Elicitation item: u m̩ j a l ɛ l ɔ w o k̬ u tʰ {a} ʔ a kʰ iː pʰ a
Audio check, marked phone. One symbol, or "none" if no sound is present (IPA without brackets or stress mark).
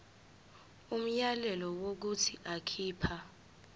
i